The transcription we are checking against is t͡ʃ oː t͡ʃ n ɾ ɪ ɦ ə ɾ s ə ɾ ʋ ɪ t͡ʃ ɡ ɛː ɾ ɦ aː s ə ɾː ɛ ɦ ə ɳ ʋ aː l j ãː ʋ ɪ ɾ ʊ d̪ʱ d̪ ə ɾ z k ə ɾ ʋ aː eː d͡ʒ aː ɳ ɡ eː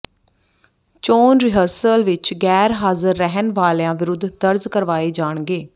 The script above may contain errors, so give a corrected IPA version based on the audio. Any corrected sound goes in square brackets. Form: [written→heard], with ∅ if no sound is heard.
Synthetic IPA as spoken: t͡ʃ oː [t͡ʃ→∅] n ɾ ɪ ɦ ə ɾ s ə [ɾ→l] ʋ ɪ t͡ʃ ɡ ɛː ɾ ɦ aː [s→z] ə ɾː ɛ ɦ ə [ɳ→n] ʋ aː l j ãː ʋ ɪ ɾ ʊ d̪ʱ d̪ ə ɾ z k ə ɾ ʋ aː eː d͡ʒ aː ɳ ɡ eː

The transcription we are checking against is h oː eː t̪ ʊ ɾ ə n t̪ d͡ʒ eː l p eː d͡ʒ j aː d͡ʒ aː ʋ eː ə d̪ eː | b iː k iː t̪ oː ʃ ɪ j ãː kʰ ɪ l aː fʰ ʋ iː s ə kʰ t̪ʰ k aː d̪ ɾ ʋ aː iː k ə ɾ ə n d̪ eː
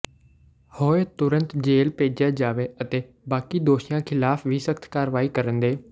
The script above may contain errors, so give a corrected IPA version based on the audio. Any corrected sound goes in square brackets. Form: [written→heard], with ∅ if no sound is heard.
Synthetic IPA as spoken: h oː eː t̪ ʊ ɾ ə n t̪ d͡ʒ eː l p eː d͡ʒ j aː d͡ʒ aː ʋ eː ə [d̪→t̪] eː | b [iː→aː] k iː [t̪→d̪] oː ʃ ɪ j ãː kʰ ɪ l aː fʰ ʋ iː s ə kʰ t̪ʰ k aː [d̪→∅] ɾ ʋ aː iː k ə ɾ ə n d̪ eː

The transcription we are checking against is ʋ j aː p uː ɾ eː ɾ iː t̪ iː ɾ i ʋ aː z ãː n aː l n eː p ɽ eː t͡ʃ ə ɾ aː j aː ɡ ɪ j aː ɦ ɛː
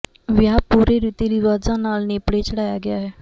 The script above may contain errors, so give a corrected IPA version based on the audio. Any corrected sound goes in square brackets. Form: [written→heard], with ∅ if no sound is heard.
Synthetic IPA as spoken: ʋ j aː p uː ɾ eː ɾ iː t̪ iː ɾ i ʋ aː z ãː n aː l n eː p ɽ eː t͡ʃ ə [ɾ→ɽ] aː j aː ɡ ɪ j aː ɦ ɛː

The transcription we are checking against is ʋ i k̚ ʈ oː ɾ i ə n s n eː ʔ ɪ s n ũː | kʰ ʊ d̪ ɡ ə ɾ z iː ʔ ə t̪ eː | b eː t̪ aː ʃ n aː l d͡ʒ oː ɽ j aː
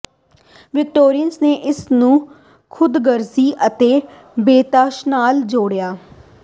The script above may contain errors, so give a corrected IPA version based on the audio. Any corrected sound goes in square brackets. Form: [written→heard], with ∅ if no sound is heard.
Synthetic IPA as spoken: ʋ [i→ɪ] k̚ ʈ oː ɾ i ə n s n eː ʔ ɪ s n ũː | kʰ ʊ d̪ ɡ ə ɾ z iː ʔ ə t̪ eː | b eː t̪ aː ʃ n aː l d͡ʒ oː ɽ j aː

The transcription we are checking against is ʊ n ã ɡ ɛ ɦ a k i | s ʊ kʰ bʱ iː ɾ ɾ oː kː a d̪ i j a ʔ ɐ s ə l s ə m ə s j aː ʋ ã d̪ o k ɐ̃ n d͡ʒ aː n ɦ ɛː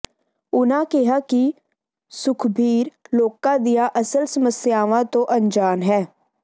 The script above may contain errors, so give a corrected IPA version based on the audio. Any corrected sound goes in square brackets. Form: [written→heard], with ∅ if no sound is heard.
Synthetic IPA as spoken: ʊ n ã [ɡ→k] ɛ ɦ a k i | s ʊ kʰ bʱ iː ɾ [ɾ→l] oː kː a d̪ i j a ʔ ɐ s ə l s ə m ə s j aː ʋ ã [d̪→t̪] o [k→ʔ] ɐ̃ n d͡ʒ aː n ɦ ɛː

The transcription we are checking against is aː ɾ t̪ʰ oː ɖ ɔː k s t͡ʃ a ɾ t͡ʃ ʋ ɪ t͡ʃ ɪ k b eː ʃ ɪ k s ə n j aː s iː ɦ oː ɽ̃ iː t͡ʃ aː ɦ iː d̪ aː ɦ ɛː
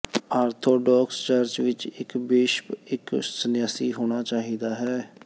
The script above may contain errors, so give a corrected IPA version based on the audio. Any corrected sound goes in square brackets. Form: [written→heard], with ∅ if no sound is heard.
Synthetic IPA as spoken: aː ɾ t̪ʰ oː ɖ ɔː k s t͡ʃ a ɾ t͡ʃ ʋ ɪ t͡ʃ ɪ k b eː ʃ ɪ k s ə n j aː s iː ɦ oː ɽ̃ [iː→aː] t͡ʃ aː ɦ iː d̪ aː ɦ ɛː

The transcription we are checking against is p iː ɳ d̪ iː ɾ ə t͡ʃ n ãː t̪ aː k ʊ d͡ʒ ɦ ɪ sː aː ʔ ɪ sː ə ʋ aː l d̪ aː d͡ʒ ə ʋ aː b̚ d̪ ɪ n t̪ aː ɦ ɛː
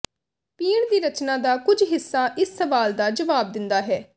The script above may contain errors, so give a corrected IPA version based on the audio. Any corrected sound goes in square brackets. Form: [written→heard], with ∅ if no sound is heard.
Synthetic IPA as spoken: p iː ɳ d̪ iː ɾ ə t͡ʃ n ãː [t̪→d̪] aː k ʊ d͡ʒ ɦ ɪ sː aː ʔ ɪ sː ə ʋ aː l d̪ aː d͡ʒ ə ʋ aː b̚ d̪ ɪ n [t̪→d̪] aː ɦ ɛː

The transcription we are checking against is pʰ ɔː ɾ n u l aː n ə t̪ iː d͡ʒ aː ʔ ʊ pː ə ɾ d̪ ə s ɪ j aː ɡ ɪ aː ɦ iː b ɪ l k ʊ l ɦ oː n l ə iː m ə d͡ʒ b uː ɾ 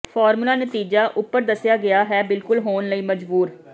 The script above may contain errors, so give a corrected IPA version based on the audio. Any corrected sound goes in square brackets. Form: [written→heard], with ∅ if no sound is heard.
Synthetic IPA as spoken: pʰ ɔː ɾ [n→m] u l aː n ə t̪ iː d͡ʒ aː ʔ ʊ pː ə ɾ d̪ ə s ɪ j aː ɡ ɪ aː ɦ [iː→ɛː] b ɪ l k ʊ l ɦ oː n l ə iː m ə d͡ʒ b uː ɾ

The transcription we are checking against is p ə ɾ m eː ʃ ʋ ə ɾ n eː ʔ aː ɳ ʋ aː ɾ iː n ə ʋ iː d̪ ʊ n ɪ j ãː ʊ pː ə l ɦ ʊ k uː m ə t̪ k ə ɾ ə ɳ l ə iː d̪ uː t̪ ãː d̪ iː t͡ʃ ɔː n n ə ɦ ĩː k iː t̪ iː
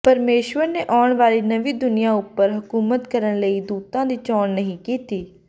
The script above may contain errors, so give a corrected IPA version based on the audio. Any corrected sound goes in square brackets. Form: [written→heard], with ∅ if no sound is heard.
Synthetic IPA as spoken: p ə ɾ m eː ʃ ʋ ə ɾ n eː ʔ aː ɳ ʋ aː ɾ iː n ə ʋ iː d̪ ʊ n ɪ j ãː ʊ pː ə [l→ɾ] ɦ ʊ k uː m ə t̪ k ə ɾ ə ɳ l ə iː d̪ uː t̪ ãː d̪ iː t͡ʃ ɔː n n ə ɦ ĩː k iː t̪ iː

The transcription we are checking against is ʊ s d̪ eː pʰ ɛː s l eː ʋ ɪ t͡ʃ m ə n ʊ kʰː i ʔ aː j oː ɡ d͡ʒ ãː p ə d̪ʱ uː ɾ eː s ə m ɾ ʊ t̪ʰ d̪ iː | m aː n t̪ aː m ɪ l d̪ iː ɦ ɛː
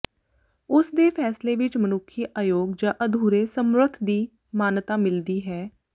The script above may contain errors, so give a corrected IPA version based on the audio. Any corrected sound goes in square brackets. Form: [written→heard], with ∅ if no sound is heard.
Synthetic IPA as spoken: ʊ s d̪ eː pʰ ɛː s l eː ʋ ɪ t͡ʃ m ə n ʊ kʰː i ʔ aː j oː ɡ d͡ʒ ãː [p→ʔ] ə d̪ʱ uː ɾ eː s ə m ɾ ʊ t̪ʰ d̪ iː | m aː n t̪ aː m ɪ l d̪ iː ɦ ɛː

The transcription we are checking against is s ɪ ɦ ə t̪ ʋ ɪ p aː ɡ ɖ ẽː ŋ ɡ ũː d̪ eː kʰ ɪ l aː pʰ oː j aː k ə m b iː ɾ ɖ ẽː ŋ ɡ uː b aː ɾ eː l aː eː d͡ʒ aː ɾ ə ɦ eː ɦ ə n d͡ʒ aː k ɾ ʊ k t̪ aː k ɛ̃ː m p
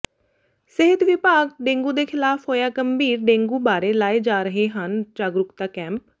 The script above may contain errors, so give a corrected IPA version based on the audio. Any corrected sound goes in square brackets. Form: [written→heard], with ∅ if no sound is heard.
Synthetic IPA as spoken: s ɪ ɦ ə t̪ ʋ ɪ p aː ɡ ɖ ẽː ŋ ɡ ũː d̪ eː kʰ ɪ l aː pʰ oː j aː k ə m b iː ɾ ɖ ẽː ŋ ɡ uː b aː ɾ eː l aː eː d͡ʒ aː ɾ ə ɦ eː ɦ ə n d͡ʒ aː [k→ɡ] ɾ ʊ k t̪ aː k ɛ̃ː m p

